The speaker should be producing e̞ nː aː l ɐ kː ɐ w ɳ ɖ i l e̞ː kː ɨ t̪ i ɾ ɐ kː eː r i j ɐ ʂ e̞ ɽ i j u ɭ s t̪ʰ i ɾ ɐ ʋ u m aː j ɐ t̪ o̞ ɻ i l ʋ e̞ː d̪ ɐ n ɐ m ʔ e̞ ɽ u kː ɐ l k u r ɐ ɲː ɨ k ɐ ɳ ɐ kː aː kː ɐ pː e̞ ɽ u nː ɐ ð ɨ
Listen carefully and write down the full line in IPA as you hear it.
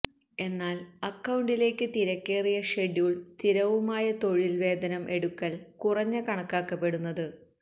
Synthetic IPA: e̞ nː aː l ɐ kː ɐ w ɳ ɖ i l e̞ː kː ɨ t̪ i ɾ ɐ kː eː r i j ɐ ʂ e̞ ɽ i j u ɭ s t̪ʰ i ɾ ɐ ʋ u m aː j ɐ t̪ o̞ ɻ i l ʋ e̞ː d̪ ɐ n ɐ m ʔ e̞ ɽ u kː ɐ l k u r ɐ ɲː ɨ k ɐ ɳ ɐ kː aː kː ɐ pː e̞ ɽ u nː ɐ ð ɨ